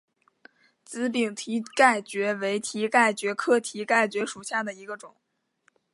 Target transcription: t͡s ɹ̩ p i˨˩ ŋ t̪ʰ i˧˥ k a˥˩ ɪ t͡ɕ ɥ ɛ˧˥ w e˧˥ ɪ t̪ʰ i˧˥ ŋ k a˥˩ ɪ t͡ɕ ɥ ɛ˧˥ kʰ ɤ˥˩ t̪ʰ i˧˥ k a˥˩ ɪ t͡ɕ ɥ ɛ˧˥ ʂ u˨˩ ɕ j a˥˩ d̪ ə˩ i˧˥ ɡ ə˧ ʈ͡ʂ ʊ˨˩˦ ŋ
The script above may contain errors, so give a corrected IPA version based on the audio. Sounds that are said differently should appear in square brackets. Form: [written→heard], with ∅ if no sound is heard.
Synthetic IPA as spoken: t͡s ɹ̩ p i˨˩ ŋ t̪ʰ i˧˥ k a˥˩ ɪ t͡ɕ ɥ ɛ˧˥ w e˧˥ ɪ t̪ʰ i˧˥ [ŋ→∅] k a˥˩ ɪ t͡ɕ ɥ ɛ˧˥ kʰ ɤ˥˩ t̪ʰ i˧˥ k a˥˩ ɪ t͡ɕ ɥ ɛ˧˥ ʂ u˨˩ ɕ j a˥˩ d̪ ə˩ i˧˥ ɡ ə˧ ʈ͡ʂ ʊ˨˩˦ ŋ